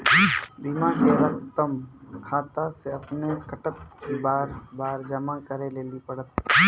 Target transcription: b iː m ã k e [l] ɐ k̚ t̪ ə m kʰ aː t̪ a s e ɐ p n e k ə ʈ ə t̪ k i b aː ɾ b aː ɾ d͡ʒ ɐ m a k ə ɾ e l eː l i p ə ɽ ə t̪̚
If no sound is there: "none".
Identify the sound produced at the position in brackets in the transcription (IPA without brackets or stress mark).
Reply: ɾ